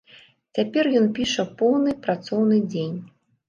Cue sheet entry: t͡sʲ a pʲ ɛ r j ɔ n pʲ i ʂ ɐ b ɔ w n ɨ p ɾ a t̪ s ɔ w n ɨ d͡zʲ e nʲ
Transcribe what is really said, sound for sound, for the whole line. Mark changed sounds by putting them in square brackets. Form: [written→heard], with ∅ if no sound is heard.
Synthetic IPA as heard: t͡sʲ a pʲ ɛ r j ɔ n pʲ i ʂ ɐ [b→p] ɔ w n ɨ p ɾ a t̪ s ɔ w n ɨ d͡zʲ e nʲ